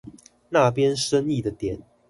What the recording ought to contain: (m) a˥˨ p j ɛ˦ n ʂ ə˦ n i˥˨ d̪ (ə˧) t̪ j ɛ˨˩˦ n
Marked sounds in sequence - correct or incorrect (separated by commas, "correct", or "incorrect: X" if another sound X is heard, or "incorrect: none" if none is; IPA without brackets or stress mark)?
incorrect: n, incorrect: ə˩